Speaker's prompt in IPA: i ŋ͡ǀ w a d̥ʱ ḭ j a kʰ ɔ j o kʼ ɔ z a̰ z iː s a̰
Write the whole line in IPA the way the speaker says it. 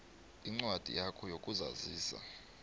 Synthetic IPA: i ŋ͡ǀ w a d̥ʱ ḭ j a kʰ ɔ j o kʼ u z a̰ z iː s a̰